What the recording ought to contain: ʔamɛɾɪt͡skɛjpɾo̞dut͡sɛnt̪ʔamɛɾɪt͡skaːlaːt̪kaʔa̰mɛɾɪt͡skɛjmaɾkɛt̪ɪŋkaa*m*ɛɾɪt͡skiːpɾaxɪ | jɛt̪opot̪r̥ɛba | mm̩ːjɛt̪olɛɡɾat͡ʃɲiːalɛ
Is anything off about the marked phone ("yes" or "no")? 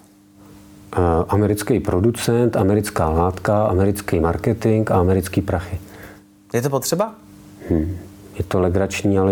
no